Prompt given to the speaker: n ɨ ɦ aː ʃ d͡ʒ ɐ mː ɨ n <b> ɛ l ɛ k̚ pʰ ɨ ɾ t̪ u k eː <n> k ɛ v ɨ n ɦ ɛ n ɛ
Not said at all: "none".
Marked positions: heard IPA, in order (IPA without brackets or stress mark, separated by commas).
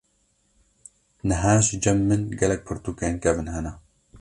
ɡ, n